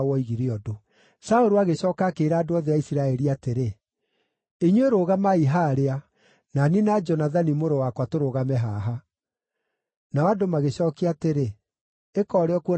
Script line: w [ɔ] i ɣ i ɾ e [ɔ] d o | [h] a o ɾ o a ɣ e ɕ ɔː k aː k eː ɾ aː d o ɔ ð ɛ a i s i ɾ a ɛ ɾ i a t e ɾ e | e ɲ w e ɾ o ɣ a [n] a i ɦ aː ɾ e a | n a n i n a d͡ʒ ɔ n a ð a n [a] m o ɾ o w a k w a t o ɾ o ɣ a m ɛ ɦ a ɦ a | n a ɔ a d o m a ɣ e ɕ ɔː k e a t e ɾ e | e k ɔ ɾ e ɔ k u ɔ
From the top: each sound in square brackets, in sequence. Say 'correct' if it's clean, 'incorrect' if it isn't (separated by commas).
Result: correct, correct, incorrect, incorrect, incorrect